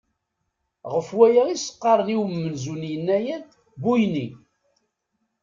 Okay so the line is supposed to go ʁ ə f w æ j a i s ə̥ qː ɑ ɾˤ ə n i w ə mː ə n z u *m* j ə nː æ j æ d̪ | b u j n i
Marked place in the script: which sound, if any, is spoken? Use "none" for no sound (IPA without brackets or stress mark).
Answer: n